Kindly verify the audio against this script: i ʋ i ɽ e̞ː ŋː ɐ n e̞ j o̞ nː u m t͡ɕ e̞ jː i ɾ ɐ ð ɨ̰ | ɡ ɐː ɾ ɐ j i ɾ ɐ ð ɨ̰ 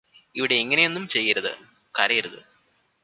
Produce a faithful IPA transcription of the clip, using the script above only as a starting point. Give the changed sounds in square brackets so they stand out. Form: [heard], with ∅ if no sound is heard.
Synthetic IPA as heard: i ʋ i ɽ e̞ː ŋː ɐ n e̞ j o̞ nː u m t͡ɕ e̞ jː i ɾ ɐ ð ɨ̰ | [k] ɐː ɾ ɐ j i ɾ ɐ ð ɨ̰

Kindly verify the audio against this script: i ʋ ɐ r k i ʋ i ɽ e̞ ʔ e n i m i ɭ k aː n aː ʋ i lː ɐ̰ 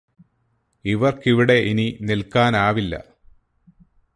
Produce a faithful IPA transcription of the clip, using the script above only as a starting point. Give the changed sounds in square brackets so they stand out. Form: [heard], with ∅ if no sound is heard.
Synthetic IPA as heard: i ʋ ɐ r k i ʋ i ɽ e̞ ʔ [i] n i [n] i [l] k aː n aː ʋ i lː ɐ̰

